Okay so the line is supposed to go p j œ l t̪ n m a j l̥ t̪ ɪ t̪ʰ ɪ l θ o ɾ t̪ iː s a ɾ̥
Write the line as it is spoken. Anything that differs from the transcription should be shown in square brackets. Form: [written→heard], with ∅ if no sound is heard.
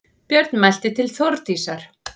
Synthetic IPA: p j œ [l→ɾ] t̪ n m a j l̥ t̪ ɪ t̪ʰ ɪ l θ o ɾ t̪ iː s a ɾ̥